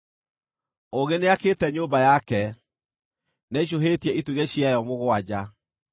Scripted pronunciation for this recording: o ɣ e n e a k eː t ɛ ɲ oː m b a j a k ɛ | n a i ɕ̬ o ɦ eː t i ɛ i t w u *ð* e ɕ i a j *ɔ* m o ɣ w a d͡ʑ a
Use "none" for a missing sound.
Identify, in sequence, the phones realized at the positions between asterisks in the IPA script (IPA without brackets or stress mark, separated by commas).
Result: ɣ, ɔ